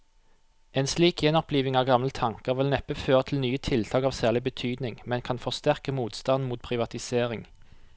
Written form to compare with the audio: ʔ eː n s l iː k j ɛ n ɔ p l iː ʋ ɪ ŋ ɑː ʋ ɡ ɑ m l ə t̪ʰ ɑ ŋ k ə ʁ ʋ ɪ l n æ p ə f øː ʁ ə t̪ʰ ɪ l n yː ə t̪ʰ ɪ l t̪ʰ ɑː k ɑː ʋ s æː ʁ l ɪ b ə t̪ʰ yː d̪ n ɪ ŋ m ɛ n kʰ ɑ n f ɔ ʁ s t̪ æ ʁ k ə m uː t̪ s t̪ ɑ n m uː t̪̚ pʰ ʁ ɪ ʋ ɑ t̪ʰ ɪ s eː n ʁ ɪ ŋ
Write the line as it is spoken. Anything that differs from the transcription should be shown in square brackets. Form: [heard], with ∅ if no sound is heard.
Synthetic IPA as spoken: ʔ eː n s l iː k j ɛ n ɔ p l iː ʋ ɪ ŋ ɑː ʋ ɡ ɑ m l ə t̪ʰ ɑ ŋ k ə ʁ ʋ ɪ l n [ɛ] p ə f øː ʁ ə t̪ʰ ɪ l n yː ə t̪ʰ ɪ l t̪ʰ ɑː k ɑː ʋ s æː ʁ l ɪ b ə t̪ʰ yː d̪ n ɪ ŋ m ɛ n kʰ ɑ n f ɔ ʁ s t̪ æ ʁ k ə m uː t̪ s t̪ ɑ n m uː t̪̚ pʰ ʁ ɪ ʋ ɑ [t̪] ɪ s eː [∅] ʁ ɪ ŋ